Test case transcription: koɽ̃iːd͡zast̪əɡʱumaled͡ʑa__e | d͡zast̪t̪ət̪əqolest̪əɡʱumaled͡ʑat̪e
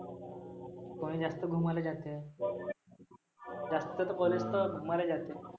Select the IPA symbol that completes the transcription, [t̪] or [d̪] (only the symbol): t̪